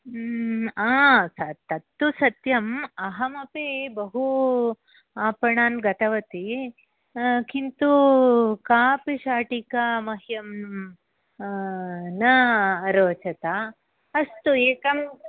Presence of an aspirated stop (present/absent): absent